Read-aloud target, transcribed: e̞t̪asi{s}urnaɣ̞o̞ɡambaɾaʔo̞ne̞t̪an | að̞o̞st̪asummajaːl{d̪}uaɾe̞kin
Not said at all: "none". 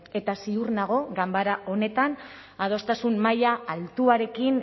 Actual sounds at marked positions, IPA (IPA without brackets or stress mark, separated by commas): none, t̪